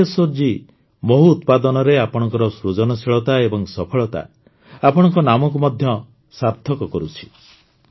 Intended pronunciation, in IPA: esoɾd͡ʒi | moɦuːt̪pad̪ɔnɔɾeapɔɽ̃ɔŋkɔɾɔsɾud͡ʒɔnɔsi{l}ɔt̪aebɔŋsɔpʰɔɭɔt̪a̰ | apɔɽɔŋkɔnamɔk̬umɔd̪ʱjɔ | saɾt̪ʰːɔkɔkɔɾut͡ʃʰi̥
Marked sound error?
yes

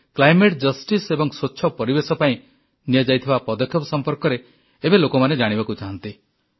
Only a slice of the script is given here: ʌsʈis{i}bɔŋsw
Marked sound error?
yes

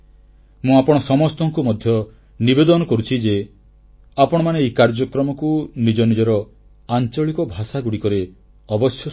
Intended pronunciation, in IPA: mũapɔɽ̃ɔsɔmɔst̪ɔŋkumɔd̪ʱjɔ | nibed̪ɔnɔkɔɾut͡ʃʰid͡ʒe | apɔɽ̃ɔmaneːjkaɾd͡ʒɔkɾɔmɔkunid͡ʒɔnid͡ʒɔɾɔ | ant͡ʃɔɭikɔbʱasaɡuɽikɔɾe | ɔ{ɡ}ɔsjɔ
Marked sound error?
yes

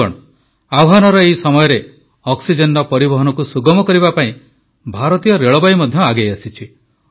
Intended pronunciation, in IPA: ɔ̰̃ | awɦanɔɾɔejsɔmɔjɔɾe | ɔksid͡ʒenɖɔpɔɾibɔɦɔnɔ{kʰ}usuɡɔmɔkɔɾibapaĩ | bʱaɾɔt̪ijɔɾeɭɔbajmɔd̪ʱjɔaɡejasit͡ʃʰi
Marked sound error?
yes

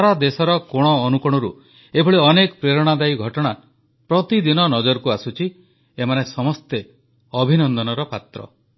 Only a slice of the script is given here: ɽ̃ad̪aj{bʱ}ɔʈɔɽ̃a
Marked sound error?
yes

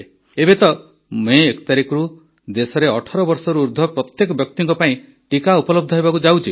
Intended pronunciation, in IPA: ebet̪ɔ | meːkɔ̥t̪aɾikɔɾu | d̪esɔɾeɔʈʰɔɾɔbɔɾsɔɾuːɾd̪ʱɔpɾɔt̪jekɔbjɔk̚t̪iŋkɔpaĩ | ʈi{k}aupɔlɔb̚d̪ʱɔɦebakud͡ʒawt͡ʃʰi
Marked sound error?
no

